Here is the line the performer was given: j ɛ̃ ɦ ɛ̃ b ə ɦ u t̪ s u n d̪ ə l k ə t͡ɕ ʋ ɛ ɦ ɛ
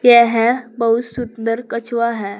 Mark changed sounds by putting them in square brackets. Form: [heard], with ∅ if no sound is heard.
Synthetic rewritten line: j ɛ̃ ɦ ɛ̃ b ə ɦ u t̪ s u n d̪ ə [ɾ] k ə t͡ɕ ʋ [a] ɦ ɛ